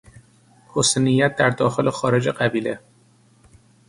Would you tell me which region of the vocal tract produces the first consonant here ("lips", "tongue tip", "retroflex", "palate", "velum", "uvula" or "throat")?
throat